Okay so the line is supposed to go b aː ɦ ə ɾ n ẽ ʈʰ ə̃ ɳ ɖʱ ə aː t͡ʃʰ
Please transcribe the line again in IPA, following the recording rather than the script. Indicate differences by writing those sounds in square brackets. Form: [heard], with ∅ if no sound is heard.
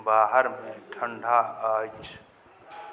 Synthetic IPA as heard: b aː ɦ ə ɾ [m] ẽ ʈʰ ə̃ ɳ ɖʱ [a] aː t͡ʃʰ